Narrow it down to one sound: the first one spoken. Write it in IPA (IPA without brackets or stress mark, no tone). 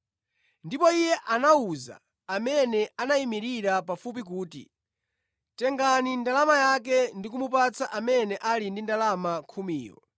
n